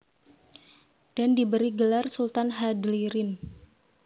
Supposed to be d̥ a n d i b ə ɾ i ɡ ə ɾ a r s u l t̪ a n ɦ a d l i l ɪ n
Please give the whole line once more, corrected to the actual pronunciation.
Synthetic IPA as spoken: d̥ a n d i b ə ɾ i ɡ ə l a r s u l t̪ a n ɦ a d l i ɾ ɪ n